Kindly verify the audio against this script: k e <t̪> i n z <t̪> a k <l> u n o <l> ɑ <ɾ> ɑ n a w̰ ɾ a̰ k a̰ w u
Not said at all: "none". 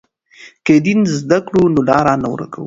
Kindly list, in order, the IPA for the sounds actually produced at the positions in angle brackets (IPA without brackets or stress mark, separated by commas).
d̪, d̪, ɽ, l, ɾ